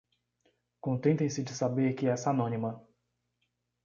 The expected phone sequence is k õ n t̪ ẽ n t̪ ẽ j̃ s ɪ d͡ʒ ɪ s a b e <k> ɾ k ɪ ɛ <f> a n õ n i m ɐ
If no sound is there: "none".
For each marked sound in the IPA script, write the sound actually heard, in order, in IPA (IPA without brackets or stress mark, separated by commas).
none, s